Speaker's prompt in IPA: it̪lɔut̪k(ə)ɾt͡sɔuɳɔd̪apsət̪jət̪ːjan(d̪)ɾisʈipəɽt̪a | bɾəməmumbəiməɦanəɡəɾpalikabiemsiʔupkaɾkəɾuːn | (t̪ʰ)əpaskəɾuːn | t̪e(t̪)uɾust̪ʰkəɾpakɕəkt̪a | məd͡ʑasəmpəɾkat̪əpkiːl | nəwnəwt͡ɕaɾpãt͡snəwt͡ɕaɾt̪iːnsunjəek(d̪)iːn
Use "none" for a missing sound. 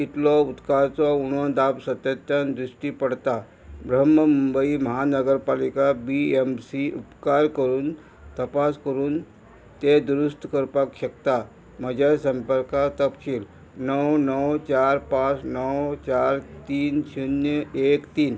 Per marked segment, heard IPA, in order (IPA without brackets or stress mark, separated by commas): a, d̪, t̪, d̪, t̪